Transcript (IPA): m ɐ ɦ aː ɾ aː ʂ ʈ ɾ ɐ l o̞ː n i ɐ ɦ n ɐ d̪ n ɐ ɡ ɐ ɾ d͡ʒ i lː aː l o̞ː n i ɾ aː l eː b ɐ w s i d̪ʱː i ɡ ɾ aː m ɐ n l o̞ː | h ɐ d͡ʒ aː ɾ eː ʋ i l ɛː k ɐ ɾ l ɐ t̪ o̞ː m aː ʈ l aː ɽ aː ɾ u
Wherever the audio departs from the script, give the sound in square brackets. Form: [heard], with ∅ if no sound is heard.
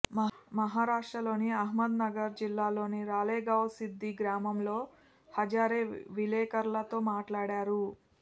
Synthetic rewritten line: m ɐ ɦ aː ɾ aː ʂ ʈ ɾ ɐ l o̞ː n i ɐ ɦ [m] ɐ d̪ n ɐ ɡ ɐ ɾ d͡ʒ i lː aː l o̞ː n i ɾ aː l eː [ɡ] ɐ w s i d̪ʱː i ɡ ɾ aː m ɐ [m] l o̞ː | h ɐ d͡ʒ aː ɾ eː ʋ i l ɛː k ɐ ɾ l ɐ t̪ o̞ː m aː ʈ l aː ɽ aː ɾ u